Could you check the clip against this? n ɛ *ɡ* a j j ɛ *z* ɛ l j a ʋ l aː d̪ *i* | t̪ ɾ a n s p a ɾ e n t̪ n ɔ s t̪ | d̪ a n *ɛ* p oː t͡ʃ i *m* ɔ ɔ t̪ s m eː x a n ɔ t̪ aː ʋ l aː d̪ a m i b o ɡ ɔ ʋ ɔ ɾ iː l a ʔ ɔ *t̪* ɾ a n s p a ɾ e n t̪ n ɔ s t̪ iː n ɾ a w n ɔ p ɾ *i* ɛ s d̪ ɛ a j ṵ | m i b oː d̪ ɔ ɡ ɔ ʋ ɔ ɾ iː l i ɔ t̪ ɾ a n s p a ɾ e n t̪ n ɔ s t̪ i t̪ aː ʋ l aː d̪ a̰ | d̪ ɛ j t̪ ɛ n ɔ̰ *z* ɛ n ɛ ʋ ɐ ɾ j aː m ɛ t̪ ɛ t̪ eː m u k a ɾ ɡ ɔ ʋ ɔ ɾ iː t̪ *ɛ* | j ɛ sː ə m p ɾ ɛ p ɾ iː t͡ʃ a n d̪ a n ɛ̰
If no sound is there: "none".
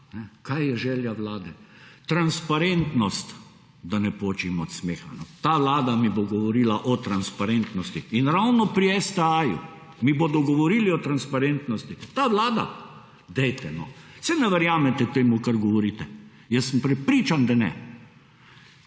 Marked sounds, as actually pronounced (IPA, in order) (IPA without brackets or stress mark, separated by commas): k, ʒ, ɛ, ɛ, m, t̪, i, s, ɛ